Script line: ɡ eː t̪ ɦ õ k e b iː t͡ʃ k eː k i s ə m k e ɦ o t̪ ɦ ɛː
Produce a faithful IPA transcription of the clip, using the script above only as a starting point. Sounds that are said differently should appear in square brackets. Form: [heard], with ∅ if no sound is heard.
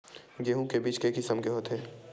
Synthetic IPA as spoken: ɡ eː [∅] ɦ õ k e b iː t͡ʃ k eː k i s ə m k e ɦ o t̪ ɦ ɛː